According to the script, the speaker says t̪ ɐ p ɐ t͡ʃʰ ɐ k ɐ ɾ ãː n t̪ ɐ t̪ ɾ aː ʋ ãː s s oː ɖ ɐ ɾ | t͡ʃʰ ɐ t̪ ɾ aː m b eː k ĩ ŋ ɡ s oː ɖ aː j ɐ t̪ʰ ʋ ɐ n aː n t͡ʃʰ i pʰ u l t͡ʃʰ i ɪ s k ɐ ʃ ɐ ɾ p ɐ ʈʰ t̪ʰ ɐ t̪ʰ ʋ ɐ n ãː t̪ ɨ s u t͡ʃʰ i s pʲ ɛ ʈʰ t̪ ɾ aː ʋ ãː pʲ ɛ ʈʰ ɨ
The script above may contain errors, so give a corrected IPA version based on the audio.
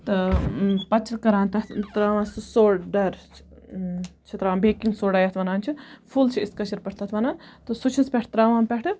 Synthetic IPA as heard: t̪ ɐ p ɐ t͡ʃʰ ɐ k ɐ ɾ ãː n t̪ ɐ t̪ ɾ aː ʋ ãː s s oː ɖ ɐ ɾ | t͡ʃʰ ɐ t̪ ɾ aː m b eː k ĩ ŋ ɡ s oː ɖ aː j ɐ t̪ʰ ʋ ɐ n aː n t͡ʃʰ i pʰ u l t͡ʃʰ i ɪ s k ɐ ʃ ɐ ɾ p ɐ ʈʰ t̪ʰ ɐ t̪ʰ ʋ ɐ n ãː t̪ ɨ s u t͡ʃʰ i s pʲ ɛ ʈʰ t̪ ɾ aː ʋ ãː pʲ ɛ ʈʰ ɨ